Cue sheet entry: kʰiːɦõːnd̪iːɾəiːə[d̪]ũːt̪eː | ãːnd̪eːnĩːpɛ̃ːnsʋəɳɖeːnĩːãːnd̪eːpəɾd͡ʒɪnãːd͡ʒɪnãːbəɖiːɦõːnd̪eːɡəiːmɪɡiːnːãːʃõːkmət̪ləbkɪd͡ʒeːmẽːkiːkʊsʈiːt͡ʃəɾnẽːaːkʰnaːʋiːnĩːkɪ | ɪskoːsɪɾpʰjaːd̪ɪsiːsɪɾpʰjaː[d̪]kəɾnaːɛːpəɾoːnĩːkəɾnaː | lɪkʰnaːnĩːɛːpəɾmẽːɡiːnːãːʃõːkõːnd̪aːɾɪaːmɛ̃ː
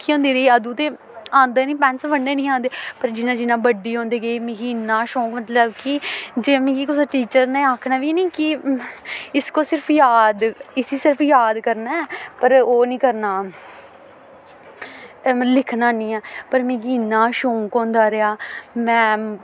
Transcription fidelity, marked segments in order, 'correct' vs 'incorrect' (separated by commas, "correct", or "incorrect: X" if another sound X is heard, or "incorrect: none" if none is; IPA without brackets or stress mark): correct, correct